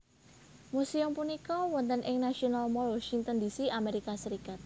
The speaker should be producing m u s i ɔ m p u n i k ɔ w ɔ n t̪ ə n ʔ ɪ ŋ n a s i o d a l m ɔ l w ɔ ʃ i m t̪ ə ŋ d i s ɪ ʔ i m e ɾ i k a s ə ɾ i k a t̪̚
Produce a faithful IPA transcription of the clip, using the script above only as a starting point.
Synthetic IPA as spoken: m u s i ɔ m p u n i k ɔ w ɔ n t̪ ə n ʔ ɪ ŋ n a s i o n a l m ɔ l w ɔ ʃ i ŋ t̪ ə n d i s i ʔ a m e ɾ i k a s ə ɾ i k a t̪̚